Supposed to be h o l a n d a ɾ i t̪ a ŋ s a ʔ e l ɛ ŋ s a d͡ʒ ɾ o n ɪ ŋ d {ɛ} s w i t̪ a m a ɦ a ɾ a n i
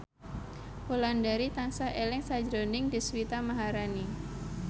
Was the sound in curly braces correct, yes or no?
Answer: no